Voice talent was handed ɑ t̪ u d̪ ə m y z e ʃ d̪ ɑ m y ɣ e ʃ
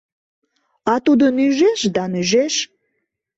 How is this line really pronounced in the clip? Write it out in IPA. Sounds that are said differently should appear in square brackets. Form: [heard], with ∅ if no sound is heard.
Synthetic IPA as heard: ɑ t̪ u d̪ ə [n] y [ʒ] e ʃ d̪ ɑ [n] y [ʒ] e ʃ